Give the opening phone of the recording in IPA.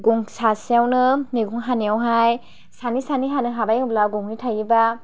ɡ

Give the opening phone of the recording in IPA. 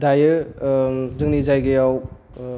d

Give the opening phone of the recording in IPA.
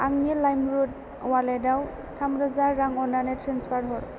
a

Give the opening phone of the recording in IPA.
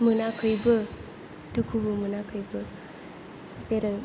m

